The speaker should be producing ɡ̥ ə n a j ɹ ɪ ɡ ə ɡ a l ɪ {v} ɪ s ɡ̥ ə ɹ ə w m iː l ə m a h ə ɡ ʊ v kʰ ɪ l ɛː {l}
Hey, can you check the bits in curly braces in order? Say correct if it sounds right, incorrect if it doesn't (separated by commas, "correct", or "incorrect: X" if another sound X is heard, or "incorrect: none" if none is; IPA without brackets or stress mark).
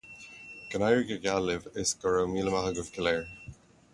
correct, incorrect: ɹ